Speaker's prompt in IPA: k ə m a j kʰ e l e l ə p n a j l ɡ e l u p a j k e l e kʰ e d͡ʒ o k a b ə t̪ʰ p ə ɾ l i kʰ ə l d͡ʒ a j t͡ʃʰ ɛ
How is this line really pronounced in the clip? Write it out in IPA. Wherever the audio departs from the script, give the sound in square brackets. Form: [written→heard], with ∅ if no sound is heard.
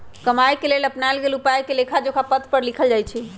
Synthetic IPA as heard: k ə m a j [kʰ→k] e l e l ə p n a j l ɡ e l u p a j k e l e kʰ [e→a] d͡ʒ o k a [b→p] ə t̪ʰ p ə ɾ l i kʰ ə l d͡ʒ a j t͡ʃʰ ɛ